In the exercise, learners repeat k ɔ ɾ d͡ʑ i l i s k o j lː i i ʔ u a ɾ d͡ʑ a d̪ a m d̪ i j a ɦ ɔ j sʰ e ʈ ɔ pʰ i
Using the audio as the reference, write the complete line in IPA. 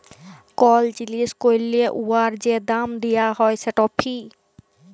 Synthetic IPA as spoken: k ɔ l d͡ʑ i l i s k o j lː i e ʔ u a ɾ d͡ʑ e d̪ a m d̪ i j a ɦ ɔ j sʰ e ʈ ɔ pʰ i